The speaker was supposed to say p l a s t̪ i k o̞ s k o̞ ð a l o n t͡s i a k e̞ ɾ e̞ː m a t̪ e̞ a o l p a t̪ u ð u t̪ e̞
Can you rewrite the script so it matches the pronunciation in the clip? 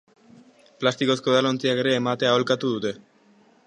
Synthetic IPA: p l a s t̪ i k o̞ s k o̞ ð a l o n t͡s i a k e̞ ɾ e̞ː m a t̪ e̞ a o l k a t̪ u ð u t̪ e̞